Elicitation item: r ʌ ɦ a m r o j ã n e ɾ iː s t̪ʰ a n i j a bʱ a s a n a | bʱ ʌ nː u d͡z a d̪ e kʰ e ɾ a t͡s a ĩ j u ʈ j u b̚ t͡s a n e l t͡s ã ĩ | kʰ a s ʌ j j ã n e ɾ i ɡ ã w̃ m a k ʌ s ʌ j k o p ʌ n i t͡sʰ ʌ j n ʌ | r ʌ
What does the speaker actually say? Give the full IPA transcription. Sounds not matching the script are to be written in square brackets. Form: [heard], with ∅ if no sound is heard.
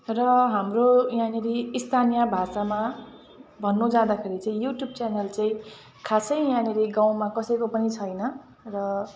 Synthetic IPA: r ʌ ɦ a m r o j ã n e ɾ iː s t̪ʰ a n i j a bʱ a s a [m] a | bʱ ʌ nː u d͡z a d̪ [a] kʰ e ɾ [i] t͡s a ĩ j u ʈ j u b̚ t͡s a n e l t͡s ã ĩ | kʰ a s ʌ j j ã n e ɾ i ɡ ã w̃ m a k ʌ s ʌ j k o p ʌ n i t͡sʰ ʌ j n ʌ | r ʌ